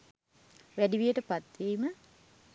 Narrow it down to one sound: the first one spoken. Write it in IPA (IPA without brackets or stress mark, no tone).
ʋ